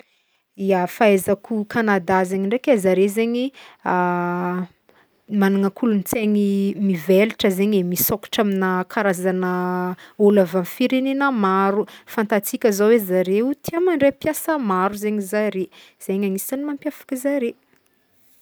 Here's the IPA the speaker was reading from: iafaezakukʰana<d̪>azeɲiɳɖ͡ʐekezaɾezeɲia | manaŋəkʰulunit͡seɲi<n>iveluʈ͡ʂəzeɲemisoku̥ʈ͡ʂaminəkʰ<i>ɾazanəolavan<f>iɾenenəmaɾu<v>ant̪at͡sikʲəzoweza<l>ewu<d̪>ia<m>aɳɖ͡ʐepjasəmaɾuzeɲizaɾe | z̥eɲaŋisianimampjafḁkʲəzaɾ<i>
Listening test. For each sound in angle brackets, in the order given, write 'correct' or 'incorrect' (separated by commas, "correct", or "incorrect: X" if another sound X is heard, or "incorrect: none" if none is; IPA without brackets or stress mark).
correct, incorrect: m, incorrect: a, correct, incorrect: f, incorrect: ɾ, incorrect: t̪, correct, incorrect: e